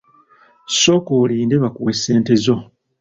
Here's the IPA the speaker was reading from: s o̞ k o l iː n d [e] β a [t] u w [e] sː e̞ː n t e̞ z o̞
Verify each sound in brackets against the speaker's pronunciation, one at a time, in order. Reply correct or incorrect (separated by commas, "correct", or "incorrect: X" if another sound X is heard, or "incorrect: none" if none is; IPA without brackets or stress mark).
correct, incorrect: k, correct